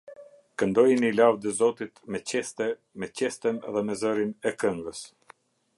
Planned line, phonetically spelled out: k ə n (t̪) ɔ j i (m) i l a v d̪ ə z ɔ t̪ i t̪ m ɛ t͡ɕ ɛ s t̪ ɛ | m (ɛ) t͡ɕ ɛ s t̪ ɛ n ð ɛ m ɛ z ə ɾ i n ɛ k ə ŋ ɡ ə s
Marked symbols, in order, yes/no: no, no, yes

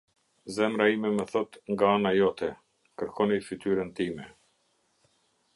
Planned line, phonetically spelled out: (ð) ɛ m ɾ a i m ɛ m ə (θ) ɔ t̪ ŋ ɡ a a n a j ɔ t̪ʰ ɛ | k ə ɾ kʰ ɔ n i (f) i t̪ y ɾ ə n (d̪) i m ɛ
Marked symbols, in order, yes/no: no, yes, yes, no

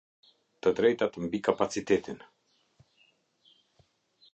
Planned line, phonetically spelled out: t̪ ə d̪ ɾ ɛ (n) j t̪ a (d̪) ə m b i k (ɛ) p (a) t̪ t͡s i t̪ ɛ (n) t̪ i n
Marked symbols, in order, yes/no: no, no, no, yes, no

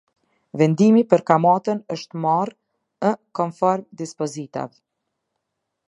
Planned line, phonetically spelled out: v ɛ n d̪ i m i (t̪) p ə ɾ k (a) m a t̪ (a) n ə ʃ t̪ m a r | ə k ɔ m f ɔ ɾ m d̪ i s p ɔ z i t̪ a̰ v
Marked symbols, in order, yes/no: no, yes, no

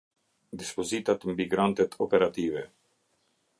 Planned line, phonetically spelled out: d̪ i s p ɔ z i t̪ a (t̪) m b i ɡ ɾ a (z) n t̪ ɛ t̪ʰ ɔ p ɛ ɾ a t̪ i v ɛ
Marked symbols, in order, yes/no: yes, no

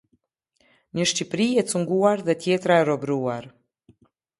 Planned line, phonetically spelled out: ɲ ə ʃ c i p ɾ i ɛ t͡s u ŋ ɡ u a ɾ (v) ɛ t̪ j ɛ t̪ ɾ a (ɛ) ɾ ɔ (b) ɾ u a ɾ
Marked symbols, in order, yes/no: no, yes, yes

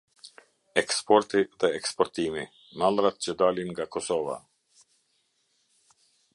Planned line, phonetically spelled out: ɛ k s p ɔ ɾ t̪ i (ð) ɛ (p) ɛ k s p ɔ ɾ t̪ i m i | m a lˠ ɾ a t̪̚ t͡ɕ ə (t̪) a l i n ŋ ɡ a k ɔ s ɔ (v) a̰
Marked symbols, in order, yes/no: yes, no, no, yes

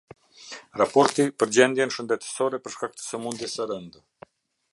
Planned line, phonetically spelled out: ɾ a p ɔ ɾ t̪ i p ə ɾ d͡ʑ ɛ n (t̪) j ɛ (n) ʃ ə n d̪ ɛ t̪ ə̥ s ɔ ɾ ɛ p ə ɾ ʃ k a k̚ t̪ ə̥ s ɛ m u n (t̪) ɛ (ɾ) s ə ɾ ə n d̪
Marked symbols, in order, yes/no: no, yes, no, no

